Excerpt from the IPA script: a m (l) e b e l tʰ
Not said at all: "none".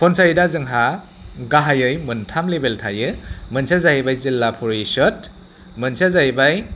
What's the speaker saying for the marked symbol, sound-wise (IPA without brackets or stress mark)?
l